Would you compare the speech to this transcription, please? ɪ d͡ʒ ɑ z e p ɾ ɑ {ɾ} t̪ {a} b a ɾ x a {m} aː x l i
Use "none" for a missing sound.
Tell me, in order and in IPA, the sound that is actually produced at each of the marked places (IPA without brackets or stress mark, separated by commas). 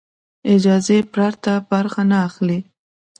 ɾ, a, n